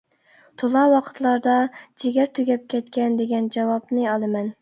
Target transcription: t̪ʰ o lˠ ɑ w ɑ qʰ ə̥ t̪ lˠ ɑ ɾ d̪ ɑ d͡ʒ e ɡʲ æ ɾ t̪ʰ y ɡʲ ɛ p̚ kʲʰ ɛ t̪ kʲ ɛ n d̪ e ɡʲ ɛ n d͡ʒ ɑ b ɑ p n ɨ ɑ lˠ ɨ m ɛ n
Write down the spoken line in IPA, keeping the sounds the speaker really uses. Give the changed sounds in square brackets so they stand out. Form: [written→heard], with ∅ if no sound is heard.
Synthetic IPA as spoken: t̪ʰ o lˠ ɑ w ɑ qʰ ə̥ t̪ lˠ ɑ ɾ d̪ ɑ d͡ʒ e ɡʲ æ ɾ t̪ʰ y ɡʲ ɛ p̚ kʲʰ ɛ t̪ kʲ ɛ n d̪ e ɡʲ ɛ n d͡ʒ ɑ [b→w] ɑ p n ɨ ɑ lˠ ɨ m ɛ n